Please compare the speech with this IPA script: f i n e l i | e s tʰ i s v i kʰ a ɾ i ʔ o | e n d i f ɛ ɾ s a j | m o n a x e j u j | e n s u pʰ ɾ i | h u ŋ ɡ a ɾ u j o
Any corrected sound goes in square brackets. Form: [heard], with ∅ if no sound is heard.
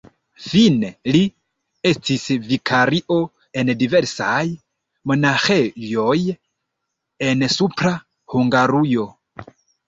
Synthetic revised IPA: f i n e l i | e s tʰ i s v i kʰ a ɾ i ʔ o | e n d i [v] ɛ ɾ s a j | m o n a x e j [o] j | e n s u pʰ ɾ [a] | h u ŋ ɡ a ɾ u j o